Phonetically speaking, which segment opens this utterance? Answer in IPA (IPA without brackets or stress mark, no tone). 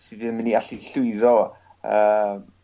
s